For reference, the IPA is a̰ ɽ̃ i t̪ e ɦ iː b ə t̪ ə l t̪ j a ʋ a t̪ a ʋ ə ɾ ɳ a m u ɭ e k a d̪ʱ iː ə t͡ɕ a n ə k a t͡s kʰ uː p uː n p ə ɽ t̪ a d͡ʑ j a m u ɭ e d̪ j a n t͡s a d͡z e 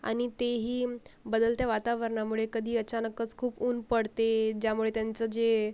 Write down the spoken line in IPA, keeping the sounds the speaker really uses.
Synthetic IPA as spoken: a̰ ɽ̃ i t̪ e ɦ iː b ə d̪ ə l t̪ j a ʋ a t̪ a ʋ ə ɾ ɳ a m u ɭ e k ə d̪ʱ iː ə t͡ɕ a n ə k ə t͡s kʰ uː p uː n p ə ɽ t̪ e d͡ʑ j a m u ɭ e t̪ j a n t͡s ə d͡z e